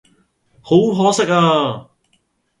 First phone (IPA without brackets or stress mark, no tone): h